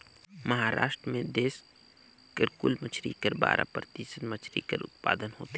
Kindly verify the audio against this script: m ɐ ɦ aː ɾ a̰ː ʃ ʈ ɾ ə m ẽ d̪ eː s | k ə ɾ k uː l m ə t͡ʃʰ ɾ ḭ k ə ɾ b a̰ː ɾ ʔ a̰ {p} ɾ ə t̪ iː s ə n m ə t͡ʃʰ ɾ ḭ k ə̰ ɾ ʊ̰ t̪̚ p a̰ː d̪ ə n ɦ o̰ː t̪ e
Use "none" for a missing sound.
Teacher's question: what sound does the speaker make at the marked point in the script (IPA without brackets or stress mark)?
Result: p